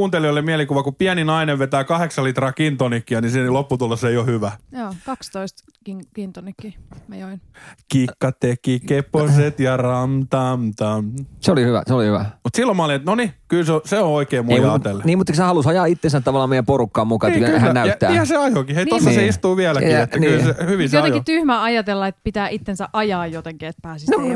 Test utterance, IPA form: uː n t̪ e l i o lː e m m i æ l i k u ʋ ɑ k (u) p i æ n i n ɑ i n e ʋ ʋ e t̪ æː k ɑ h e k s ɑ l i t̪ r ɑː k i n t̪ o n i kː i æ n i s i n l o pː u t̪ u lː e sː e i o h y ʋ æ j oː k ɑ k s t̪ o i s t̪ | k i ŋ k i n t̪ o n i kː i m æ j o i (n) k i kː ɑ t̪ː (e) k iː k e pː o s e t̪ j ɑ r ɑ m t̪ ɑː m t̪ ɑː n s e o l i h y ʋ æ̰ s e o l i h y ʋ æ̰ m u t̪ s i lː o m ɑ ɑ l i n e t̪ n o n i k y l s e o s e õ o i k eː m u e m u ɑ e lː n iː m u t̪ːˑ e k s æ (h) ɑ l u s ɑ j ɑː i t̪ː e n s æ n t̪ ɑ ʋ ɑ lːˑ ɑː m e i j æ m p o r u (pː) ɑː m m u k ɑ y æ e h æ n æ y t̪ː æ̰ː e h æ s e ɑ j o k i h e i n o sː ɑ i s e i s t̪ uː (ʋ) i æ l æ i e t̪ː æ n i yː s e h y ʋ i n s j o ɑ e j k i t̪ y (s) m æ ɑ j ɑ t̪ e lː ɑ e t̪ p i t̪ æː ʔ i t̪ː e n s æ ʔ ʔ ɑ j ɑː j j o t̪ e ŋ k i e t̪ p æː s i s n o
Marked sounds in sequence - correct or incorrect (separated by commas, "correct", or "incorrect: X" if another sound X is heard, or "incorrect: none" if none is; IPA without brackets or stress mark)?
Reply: correct, correct, correct, correct, incorrect: kː, correct, incorrect: h